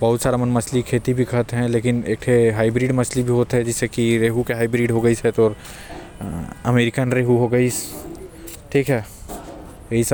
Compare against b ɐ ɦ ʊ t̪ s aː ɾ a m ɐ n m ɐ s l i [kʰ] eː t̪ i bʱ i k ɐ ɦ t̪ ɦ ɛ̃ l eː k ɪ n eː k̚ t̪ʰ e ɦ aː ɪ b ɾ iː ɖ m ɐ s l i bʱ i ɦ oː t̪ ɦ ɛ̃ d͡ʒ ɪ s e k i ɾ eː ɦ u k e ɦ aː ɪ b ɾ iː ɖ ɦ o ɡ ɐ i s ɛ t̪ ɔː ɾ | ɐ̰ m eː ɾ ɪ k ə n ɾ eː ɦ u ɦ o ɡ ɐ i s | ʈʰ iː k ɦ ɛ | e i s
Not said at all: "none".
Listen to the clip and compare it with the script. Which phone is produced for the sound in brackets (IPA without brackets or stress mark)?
kʰ